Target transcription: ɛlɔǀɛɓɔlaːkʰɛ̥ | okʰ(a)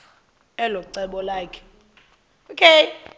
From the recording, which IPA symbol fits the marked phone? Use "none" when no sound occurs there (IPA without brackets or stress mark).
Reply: e